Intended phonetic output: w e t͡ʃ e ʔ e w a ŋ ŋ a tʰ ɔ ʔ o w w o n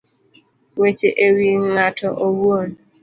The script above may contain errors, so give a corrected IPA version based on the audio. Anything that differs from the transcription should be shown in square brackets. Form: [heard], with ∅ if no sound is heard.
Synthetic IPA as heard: w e t͡ʃ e ʔ e w [i] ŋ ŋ a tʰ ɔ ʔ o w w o n